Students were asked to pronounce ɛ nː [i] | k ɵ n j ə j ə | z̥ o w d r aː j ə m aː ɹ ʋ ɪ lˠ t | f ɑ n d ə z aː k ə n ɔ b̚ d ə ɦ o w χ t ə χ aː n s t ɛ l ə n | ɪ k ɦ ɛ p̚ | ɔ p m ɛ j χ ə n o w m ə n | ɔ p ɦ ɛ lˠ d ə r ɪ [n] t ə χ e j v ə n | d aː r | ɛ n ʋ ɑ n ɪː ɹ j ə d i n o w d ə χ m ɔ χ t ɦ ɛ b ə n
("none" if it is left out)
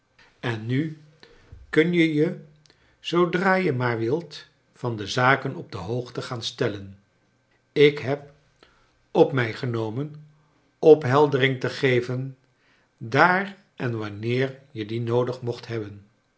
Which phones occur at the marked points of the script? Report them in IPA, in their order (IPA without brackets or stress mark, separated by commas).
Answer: y, ŋ